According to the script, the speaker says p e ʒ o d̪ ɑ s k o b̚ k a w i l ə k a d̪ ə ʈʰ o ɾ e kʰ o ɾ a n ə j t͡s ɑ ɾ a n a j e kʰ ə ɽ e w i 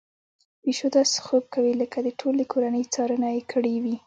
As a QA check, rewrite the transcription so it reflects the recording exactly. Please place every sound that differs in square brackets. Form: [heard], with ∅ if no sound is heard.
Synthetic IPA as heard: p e [ʃ] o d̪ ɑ s [x] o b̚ k a w i l ə k a d̪ ə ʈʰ o [l] e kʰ o ɾ a n ə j t͡s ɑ ɾ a n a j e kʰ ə ɽ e w i

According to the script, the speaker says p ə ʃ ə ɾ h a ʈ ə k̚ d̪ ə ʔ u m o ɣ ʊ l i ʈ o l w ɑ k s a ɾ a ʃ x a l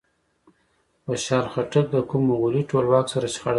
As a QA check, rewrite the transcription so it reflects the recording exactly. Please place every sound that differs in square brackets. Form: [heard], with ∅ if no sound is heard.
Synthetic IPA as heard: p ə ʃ [ɑ] ɾ [x] a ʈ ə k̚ d̪ ə [k] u m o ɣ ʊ l i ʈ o l w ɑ k s a ɾ a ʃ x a [ɽ]

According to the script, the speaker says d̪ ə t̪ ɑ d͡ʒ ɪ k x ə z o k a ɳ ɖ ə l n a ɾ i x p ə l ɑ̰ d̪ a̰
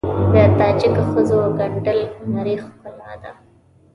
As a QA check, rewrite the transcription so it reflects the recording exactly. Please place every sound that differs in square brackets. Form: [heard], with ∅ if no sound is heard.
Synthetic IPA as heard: d̪ ə t̪ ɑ d͡ʒ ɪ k x ə z o [ɡ] a ɳ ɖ ə l n a ɾ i x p ə l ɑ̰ d̪ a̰

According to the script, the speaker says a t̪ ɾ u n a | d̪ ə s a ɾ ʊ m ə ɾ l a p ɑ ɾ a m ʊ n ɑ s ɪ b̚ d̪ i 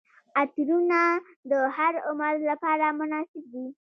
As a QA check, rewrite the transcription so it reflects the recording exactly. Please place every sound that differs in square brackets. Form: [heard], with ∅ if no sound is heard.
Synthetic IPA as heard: a t̪ ɾ u n a | d̪ ə [h] a ɾ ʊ m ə ɾ l a p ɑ ɾ a m ʊ n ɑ s ɪ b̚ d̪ i

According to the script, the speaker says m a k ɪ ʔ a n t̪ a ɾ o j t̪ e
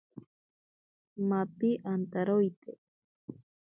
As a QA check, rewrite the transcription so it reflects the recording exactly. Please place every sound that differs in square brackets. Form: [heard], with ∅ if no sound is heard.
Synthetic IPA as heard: m a [p] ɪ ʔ a n t̪ a ɾ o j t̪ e

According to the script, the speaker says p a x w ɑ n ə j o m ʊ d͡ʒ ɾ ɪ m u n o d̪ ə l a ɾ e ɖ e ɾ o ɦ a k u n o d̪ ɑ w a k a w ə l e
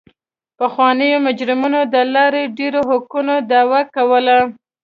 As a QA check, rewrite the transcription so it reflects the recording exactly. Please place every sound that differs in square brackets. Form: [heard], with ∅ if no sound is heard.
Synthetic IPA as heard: p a x w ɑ n ə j o m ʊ d͡ʒ ɾ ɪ m u n o d̪ ə l [ɑ] ɾ e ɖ e ɾ o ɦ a k u n o d̪ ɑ w a k a w ə l [a]

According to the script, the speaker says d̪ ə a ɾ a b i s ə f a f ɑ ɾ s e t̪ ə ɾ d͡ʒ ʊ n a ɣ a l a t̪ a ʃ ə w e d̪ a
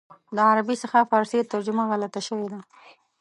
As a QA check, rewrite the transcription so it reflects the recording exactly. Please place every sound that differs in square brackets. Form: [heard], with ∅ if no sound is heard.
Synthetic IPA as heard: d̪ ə a ɾ a b i s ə [x] a f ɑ ɾ s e t̪ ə ɾ d͡ʒ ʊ [m] a ɣ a l a t̪ a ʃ ə w e d̪ a

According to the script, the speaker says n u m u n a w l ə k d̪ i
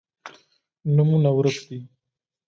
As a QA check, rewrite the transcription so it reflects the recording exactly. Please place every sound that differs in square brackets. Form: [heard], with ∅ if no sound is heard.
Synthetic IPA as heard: n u m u n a w [ɾ] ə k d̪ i

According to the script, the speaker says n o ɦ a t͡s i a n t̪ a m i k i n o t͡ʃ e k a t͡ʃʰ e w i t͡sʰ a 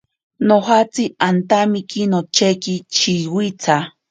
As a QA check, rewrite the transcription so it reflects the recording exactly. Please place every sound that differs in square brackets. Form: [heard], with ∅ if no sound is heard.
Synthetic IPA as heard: n o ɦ a t͡s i a n t̪ a m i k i n o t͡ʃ e k [i] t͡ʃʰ [i] w i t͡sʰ a

